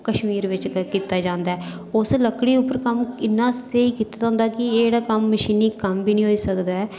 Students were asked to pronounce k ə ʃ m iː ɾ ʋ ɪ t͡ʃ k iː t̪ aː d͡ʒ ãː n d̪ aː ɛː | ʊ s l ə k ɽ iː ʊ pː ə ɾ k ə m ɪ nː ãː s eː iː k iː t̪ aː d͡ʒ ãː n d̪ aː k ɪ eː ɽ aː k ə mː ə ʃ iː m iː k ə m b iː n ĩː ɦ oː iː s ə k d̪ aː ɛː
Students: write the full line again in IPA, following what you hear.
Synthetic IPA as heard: k ə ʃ m iː ɾ ʋ ɪ t͡ʃ k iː t̪ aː d͡ʒ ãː n d̪ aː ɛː | ʊ s l ə k ɽ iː ʊ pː ə ɾ k ə m ɪ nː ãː s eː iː k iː t̪ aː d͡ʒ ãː n d̪ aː k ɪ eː ɽ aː k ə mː ə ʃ iː n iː k ə m b iː n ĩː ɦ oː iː s ə k d̪ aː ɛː